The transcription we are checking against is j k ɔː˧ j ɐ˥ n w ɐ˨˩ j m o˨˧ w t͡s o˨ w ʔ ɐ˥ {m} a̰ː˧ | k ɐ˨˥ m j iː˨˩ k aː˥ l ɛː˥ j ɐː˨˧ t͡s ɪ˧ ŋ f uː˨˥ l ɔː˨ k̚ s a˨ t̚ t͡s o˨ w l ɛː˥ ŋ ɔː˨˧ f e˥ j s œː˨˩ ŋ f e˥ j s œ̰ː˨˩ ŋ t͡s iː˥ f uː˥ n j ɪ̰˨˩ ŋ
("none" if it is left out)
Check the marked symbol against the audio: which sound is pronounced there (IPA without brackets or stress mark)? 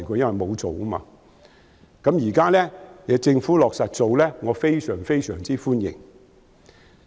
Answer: m